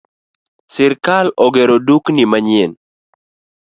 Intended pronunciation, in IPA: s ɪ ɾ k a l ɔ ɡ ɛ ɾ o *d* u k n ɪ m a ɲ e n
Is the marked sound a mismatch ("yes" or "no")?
no